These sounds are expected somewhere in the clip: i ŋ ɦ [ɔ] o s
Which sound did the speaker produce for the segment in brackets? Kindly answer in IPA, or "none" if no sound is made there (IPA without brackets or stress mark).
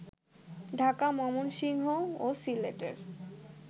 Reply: o